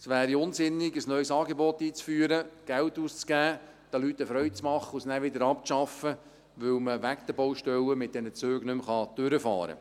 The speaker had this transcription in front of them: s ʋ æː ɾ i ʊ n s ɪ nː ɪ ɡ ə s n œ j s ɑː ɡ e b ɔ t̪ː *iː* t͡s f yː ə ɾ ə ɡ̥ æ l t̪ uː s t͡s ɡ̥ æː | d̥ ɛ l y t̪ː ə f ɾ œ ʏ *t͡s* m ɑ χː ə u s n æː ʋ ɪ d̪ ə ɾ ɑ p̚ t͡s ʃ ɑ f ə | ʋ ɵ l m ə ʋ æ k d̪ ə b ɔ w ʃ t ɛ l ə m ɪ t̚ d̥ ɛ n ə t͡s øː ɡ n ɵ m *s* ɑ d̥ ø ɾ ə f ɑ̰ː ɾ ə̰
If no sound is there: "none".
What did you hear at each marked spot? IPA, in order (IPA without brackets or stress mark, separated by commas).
iː, t͡s, χ